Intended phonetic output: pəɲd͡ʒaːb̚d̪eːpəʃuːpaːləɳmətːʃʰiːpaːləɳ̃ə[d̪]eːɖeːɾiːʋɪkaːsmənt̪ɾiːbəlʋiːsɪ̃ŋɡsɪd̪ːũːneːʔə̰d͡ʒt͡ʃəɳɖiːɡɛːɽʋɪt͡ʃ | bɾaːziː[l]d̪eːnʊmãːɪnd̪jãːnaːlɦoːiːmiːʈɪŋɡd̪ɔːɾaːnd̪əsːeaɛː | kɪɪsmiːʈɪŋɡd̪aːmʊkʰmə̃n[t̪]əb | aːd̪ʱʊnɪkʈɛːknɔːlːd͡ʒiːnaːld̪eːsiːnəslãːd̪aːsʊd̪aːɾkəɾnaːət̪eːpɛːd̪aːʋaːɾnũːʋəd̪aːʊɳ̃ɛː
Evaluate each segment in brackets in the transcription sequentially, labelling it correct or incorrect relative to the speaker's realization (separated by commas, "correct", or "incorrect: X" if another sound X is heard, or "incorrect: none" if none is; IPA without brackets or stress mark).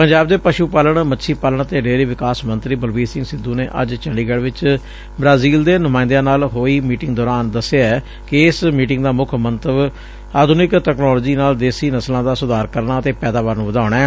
incorrect: t̪, correct, correct